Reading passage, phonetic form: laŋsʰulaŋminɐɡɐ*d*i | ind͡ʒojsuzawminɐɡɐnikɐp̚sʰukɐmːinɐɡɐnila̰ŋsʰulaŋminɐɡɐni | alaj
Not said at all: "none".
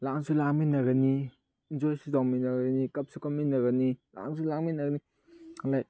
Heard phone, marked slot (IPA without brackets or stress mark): n